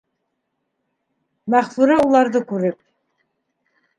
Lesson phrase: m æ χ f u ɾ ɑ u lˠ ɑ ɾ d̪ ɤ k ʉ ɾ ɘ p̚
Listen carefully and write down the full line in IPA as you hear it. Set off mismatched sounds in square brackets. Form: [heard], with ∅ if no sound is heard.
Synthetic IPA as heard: m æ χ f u ɾ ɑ u lˠ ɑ ɾ d̪ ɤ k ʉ ɾ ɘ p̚